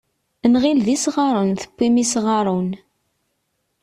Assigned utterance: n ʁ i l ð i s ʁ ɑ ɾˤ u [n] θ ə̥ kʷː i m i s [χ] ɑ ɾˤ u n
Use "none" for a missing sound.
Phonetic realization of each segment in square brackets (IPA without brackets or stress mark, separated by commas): n, ʁ